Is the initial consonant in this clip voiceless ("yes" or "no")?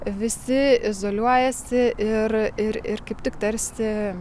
no